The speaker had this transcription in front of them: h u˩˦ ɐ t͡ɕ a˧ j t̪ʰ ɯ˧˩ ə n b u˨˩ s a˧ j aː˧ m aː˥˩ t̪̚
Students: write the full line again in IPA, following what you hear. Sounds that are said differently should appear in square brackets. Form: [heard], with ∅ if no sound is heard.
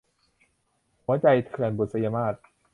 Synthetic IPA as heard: h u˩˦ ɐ t͡ɕ a˧ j t̪ʰ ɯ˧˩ ə n b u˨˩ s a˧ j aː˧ m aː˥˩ t̪̚